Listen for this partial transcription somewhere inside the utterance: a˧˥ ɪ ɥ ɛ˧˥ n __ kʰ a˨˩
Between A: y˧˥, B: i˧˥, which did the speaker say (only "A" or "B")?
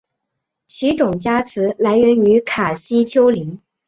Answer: A